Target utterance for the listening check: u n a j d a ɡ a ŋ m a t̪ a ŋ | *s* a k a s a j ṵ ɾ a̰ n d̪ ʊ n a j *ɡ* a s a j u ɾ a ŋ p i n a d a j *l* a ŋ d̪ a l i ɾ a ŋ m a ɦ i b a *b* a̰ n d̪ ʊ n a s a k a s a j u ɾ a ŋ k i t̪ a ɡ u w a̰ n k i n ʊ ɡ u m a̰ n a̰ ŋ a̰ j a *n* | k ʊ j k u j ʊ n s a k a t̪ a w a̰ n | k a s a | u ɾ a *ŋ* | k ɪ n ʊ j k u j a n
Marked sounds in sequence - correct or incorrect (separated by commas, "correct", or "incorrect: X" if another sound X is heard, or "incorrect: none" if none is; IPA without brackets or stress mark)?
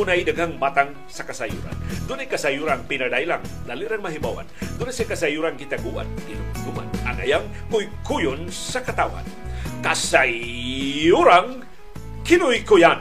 correct, incorrect: k, correct, incorrect: w, incorrect: ŋ, correct